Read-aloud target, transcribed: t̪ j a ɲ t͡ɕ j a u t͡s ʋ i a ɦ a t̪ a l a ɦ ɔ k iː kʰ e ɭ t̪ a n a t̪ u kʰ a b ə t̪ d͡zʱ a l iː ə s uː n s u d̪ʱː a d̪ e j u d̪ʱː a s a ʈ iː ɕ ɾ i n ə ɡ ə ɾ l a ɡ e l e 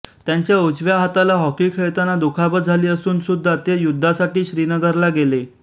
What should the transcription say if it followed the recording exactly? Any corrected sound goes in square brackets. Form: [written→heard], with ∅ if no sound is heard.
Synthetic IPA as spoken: t̪ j a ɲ t͡ɕ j a u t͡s ʋ [i→j] a ɦ a t̪ a l a ɦ ɔ k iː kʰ e ɭ t̪ a n a [t̪→d̪] u kʰ a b ə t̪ d͡zʱ a l iː ə s uː n s u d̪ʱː a [d̪→t̪] e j u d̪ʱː a s a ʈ iː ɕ ɾ i n ə ɡ ə ɾ l a ɡ e l e